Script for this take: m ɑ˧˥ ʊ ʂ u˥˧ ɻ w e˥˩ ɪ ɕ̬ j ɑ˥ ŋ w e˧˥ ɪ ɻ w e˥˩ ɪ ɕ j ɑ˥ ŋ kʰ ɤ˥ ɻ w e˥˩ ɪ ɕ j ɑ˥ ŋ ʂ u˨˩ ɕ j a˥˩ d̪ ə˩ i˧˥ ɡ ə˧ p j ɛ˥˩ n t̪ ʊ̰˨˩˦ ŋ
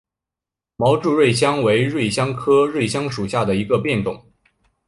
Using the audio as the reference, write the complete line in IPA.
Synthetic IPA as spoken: m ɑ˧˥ ʊ ʈ͡ʂ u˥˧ ɻ w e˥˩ ɪ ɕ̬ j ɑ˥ ŋ w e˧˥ ɪ ɻ w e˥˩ ɪ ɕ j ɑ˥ ŋ kʰ ɤ˥ ɻ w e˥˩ ɪ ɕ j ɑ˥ ŋ ʂ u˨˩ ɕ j a˥˩ d̪ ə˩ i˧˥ ɡ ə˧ p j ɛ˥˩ n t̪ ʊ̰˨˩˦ ŋ

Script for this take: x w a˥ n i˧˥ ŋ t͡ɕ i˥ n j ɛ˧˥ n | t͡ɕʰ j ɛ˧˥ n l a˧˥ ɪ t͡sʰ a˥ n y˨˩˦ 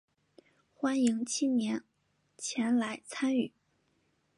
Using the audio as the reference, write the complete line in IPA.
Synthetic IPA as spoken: x w a˥ n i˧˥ ŋ t͡ɕʰ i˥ n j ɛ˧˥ n | t͡ɕʰ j ɛ˧˥ n l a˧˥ ɪ t͡sʰ a˥ n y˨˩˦

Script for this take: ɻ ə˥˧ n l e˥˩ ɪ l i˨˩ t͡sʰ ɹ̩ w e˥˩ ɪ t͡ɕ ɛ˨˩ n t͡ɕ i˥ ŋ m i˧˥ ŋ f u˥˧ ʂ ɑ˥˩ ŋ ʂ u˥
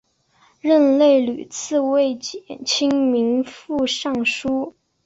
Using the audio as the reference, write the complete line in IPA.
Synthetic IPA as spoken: ɻ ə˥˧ n l e˥˩ ɪ l y˨˩ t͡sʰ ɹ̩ w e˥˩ ɪ t͡ɕ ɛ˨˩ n t͡ɕʰ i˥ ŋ m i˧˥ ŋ f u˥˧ ʂ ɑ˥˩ ŋ ʂ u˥

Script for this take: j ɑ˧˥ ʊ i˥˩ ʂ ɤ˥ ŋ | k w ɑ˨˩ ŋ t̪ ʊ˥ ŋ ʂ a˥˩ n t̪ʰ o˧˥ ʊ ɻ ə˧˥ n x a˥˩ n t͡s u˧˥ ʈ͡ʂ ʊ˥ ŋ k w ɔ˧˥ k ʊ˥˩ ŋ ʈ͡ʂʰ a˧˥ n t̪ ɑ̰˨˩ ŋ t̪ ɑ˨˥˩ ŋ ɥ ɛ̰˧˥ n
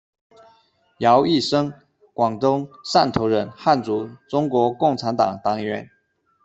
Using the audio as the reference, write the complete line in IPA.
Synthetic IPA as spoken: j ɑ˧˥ ʊ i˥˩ ʂ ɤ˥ ŋ | k w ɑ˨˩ ŋ t̪ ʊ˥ ŋ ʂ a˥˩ n t̪ʰ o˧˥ ʊ ɻ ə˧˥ n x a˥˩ n t͡s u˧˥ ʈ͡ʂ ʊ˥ ŋ k w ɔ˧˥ k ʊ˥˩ ŋ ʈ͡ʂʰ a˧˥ n t̪ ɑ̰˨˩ ŋ t̪ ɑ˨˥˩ ŋ ɥ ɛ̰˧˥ n

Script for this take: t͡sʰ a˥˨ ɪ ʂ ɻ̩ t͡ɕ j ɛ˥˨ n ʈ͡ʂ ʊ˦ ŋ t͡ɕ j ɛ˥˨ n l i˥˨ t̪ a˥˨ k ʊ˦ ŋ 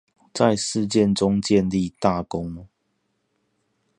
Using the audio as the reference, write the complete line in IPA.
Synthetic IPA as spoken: t͡s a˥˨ ɪ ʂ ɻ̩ t͡ɕ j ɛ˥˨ n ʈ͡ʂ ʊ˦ ŋ t͡ɕ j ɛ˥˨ n l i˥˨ t̪ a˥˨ k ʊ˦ ŋ

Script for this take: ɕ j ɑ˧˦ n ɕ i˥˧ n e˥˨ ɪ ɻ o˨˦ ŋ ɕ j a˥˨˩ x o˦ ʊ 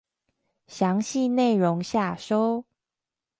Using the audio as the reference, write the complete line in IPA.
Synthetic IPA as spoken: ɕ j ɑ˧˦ ŋ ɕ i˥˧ n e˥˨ ɪ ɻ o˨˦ ŋ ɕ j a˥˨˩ ʂ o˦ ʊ

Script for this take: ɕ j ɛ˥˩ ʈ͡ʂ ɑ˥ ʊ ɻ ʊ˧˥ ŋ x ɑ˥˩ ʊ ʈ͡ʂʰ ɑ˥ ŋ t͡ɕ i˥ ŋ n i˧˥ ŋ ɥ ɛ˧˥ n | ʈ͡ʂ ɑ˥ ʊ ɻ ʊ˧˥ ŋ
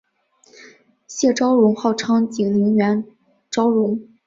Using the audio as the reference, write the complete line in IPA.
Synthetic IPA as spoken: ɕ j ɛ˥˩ ʈ͡ʂ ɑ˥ ʊ ɻ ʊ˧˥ ŋ x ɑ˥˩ ʊ ʈ͡ʂʰ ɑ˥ ŋ t͡ɕ i˨˩ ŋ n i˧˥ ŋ ɥ ɛ˧˥ n | ʈ͡ʂ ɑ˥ ʊ ɻ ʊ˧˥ ŋ

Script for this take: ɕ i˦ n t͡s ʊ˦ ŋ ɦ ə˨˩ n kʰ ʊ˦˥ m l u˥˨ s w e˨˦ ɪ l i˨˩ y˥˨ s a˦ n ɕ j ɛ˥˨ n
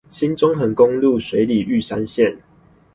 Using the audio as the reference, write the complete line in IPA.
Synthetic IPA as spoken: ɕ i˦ n t͡s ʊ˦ ŋ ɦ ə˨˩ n k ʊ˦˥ ŋ l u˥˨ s w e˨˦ ɪ l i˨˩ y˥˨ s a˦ n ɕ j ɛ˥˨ n

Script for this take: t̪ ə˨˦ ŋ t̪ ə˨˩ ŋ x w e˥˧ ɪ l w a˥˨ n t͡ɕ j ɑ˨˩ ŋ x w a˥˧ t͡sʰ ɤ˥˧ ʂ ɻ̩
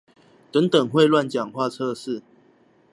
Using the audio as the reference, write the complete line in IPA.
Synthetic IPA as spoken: t̪ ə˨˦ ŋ t̪ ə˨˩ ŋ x w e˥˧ ɪ l w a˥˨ n t͡ɕ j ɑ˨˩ ŋ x w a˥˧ t͡sʰ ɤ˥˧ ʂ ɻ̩

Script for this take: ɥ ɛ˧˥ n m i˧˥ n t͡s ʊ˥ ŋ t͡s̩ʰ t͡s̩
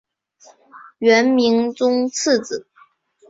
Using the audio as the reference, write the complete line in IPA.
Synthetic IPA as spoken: ɥ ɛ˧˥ n m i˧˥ ŋ t͡s ʊ˥ ŋ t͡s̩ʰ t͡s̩

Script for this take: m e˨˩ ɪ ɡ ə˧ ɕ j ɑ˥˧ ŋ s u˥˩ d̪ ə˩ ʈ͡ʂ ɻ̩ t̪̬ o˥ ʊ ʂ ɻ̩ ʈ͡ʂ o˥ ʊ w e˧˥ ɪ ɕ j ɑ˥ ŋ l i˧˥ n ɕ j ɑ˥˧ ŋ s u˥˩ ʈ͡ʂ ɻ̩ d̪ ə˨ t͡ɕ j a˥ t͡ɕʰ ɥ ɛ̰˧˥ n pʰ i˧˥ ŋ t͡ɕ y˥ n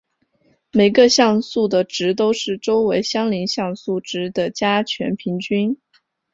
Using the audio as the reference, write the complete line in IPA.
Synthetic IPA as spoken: m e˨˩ ɪ ɡ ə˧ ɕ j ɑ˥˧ ŋ s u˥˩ d̪ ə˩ ʈ͡ʂ ɻ̩ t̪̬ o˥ ʊ ʂ ɻ̩ ʈ͡ʂ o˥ ʊ w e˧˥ ɪ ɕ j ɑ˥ ŋ l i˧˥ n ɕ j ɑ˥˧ ŋ s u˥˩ ʈ͡ʂ ɻ̩ d̪ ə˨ t͡ɕ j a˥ t͡ɕʰ ɥ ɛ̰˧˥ n pʰ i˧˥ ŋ t͡ɕ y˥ n

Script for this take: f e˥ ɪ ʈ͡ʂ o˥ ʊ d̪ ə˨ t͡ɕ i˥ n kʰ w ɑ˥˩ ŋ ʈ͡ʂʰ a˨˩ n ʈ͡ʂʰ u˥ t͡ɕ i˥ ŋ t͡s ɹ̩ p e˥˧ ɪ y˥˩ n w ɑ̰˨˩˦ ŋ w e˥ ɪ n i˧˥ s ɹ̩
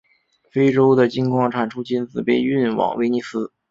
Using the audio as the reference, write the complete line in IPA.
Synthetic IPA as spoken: f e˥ ɪ ʈ͡ʂ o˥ ʊ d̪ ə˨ t͡ɕ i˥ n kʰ w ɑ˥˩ ŋ ʈ͡ʂʰ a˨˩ n ʈ͡ʂʰ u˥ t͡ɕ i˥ n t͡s ɹ̩ p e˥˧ ɪ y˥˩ n w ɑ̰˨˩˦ ŋ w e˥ ɪ n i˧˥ s ɹ̩

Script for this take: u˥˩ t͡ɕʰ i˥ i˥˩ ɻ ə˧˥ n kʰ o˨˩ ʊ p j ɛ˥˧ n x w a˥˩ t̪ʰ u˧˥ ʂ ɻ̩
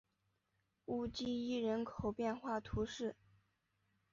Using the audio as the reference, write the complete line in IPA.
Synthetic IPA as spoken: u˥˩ t͡ɕ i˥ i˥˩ ɻ ə˧˥ n kʰ o˨˩ ʊ p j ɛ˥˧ n x w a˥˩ t̪ʰ u˧˥ ʂ ɻ̩

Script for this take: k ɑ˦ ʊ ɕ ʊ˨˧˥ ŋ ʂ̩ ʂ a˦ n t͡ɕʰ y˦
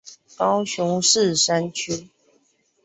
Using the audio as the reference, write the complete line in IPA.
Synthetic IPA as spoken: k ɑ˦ ʊ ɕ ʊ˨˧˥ ŋ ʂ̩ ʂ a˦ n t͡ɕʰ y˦

